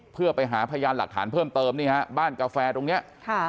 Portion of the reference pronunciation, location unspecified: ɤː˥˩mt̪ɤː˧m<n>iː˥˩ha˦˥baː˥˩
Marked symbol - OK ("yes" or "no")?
yes